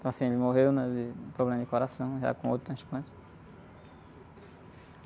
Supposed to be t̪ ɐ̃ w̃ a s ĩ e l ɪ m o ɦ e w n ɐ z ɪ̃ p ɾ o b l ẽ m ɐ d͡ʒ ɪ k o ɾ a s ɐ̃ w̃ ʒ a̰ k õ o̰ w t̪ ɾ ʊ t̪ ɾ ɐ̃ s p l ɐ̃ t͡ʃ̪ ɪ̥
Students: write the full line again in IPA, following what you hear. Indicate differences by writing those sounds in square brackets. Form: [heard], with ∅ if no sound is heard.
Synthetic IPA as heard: t̪ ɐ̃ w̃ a s ĩ e l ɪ m o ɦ e w n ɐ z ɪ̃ p ɾ o b l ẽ m ɐ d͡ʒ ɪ k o ɾ a s ɐ̃ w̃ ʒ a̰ k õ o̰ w t̪ ɾ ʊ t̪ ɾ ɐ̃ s p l ɐ̃ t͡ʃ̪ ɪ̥